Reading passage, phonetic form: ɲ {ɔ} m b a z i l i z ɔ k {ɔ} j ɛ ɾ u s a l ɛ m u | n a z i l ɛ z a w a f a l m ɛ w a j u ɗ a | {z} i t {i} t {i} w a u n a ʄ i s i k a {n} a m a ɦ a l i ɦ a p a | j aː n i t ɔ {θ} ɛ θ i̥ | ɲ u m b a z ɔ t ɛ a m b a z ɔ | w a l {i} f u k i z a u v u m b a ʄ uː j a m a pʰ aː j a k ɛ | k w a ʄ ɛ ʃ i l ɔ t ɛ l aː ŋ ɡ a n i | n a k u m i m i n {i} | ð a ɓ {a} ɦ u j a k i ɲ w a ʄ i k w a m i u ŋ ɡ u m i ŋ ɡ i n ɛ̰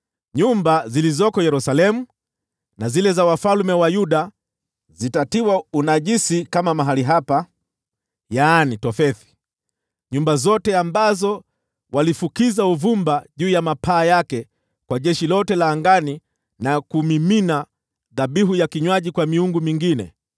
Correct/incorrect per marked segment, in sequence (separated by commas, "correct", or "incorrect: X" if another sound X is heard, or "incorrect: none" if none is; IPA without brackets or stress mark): incorrect: u, correct, correct, incorrect: a, correct, incorrect: m, incorrect: f, correct, incorrect: a, incorrect: i